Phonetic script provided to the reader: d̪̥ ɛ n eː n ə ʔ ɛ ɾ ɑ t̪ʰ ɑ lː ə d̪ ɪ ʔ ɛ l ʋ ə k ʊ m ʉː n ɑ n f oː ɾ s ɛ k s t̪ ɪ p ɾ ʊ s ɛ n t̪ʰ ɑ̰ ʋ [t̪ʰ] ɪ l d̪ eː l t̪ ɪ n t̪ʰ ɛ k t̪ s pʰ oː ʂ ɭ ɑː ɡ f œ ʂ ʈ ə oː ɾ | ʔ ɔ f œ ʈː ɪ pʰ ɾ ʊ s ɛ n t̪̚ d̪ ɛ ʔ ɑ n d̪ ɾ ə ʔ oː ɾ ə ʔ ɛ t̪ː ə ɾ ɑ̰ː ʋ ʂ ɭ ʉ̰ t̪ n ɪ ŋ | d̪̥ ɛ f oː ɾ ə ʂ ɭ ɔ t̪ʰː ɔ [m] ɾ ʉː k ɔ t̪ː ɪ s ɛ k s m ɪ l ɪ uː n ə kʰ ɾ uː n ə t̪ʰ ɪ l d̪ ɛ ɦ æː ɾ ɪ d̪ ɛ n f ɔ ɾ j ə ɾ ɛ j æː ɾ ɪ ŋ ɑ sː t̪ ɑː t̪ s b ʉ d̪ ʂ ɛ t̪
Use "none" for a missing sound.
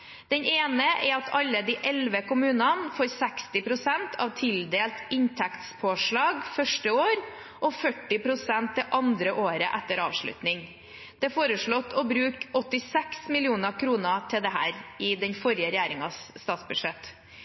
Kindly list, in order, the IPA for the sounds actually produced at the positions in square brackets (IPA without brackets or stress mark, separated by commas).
t̪ʰ, b